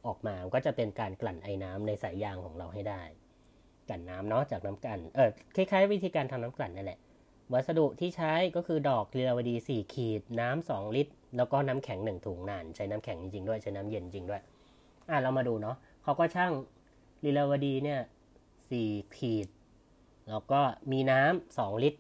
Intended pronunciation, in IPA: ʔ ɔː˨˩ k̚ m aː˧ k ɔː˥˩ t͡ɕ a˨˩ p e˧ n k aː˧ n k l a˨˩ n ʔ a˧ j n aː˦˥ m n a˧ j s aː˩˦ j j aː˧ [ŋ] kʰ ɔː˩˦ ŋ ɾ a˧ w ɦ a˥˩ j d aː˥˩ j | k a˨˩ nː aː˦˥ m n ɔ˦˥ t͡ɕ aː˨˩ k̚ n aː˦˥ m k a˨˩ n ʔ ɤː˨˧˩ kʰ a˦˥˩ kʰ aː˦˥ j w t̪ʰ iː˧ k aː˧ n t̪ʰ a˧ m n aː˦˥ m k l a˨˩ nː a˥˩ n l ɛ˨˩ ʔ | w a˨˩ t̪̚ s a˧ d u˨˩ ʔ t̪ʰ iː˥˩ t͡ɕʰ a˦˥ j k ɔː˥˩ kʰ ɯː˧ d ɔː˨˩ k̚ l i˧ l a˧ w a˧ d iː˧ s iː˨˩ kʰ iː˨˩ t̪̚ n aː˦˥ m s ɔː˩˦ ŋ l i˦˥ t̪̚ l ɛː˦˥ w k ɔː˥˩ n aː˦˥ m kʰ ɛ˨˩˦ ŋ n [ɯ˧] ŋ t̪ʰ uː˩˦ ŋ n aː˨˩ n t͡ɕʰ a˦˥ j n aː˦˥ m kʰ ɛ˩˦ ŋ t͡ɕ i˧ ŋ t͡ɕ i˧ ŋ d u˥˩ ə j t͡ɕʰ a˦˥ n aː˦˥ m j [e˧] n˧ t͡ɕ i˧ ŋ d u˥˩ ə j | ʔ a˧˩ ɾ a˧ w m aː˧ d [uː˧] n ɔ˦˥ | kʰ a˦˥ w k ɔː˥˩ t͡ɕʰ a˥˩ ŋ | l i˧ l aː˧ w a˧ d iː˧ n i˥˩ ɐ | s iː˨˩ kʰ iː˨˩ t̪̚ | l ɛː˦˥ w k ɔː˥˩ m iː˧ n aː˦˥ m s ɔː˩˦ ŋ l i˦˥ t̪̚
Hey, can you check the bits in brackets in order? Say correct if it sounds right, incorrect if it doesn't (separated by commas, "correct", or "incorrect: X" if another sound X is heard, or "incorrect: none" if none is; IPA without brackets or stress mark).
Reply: correct, incorrect: ɯ˨˩, correct, correct